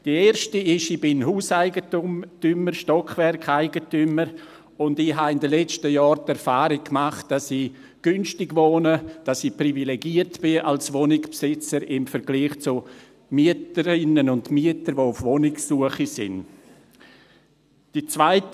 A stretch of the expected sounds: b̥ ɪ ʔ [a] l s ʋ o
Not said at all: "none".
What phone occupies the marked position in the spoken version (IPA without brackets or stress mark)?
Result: a